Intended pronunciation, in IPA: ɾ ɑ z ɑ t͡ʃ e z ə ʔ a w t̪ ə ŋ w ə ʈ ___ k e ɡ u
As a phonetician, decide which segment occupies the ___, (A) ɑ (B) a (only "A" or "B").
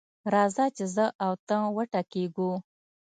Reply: B